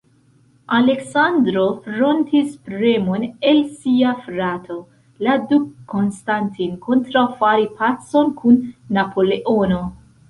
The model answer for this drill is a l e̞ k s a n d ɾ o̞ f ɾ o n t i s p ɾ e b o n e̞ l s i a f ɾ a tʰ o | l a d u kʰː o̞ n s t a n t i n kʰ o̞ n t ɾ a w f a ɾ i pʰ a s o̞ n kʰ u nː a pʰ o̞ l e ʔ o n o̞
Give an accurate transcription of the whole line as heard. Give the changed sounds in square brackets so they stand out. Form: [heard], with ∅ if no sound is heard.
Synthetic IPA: a l e̞ k s a n d ɾ o̞ f ɾ o n t i s p ɾ e [m] o n e̞ l s i a f ɾ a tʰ o | l a d u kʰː o̞ n s t a n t i n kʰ o̞ n t ɾ a w f a ɾ i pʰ a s o̞ n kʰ u nː a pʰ o̞ l e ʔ o n o̞

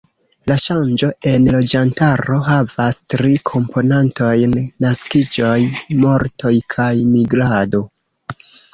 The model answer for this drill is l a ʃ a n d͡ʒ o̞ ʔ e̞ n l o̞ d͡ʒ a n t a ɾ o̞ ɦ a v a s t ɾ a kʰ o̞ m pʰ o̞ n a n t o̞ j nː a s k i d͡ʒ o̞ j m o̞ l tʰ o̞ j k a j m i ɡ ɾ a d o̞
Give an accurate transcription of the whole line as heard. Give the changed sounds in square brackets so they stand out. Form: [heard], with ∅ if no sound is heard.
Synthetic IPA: l a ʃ a n d͡ʒ o̞ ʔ e̞ n l o̞ d͡ʒ a n t a ɾ o̞ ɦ a v a s t ɾ [i] kʰ o̞ m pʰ o̞ n a n t o̞ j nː a s k i d͡ʒ o̞ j m o̞ [ɾ] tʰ o̞ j [kʰ] a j m i ɡ ɾ a d o̞

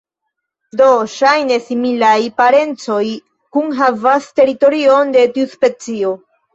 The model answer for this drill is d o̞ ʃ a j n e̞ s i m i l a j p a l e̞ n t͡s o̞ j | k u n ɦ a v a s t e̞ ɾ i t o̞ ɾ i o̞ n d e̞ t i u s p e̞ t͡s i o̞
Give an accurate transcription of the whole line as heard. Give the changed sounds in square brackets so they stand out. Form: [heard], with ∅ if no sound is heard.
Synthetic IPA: d o̞ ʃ a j n e̞ s i m i l a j p a [ɾ] e̞ n t͡s o̞ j | k u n ɦ a v a s t e̞ ɾ i t o̞ ɾ i o̞ n d e̞ t i u s p e̞ t͡s i o̞

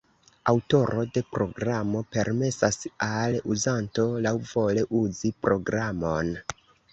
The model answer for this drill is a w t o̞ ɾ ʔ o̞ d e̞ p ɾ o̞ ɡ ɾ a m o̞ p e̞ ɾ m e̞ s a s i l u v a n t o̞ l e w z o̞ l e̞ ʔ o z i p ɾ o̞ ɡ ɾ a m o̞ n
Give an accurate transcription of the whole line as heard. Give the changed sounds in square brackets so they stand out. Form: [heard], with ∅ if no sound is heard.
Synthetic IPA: a w t o̞ ɾ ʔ o̞ d e̞ p ɾ o̞ ɡ ɾ a m o̞ p e̞ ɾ m e̞ s a s [a] l u [z] a n t o̞ l [a] w [v] o̞ l e̞ ʔ [u] z i p ɾ o̞ ɡ ɾ a m o̞ n

